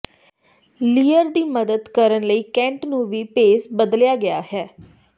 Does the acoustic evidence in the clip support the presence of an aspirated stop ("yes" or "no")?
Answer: no